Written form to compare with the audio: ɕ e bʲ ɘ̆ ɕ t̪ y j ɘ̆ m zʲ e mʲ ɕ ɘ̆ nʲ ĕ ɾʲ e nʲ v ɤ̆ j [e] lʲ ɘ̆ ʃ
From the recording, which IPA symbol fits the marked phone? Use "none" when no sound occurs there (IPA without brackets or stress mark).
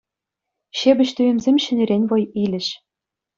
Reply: i